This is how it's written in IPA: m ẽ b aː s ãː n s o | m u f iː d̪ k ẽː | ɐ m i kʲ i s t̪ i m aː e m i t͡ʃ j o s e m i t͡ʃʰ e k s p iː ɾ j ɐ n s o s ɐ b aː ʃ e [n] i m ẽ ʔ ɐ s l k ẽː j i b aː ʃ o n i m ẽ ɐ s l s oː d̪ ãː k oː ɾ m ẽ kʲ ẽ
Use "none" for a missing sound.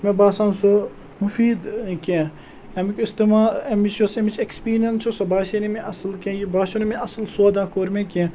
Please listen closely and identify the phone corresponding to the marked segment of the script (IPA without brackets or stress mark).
n